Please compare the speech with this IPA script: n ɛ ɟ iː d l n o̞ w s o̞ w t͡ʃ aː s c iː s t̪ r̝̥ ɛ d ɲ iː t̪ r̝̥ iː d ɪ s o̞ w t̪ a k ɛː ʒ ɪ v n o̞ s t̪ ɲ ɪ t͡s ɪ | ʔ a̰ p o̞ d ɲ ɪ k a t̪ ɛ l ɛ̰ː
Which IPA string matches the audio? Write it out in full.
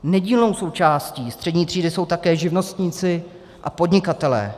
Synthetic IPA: n ɛ ɟ iː l n o̞ w s o̞ w t͡ʃ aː s c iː s t̪ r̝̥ ɛ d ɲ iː t̪ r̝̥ iː d ɪ s o̞ w t̪ a k ɛː ʒ ɪ v n o̞ s t̪ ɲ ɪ t͡s ɪ | ʔ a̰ p o̞ d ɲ ɪ k a t̪ ɛ l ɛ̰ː